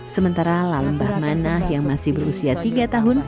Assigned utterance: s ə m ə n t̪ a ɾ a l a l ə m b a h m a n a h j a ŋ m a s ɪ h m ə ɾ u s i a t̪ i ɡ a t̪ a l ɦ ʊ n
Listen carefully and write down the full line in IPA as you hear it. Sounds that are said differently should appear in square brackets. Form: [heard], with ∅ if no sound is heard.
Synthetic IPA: s ə m ə n t̪ a ɾ a l a l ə m b a h m a n a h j a ŋ m a s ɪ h [b] ə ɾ u s i a t̪ i ɡ a t̪ a [∅] ɦ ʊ n